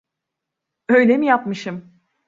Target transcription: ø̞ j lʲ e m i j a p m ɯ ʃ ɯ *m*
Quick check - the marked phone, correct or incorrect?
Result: correct